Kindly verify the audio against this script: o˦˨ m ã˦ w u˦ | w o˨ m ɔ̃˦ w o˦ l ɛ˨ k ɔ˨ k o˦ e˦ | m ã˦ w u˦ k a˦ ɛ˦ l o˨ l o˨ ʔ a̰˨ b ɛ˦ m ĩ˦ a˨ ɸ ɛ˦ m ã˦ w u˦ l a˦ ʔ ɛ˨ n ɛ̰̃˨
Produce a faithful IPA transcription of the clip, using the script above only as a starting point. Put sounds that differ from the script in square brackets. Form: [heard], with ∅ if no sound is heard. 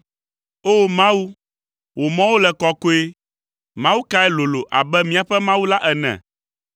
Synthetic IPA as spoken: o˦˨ m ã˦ w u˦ | w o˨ m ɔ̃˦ w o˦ l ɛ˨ k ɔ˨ k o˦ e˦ | m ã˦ w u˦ k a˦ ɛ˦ l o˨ l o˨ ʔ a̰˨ b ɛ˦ m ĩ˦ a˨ ɸ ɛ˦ m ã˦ w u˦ l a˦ ʔ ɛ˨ n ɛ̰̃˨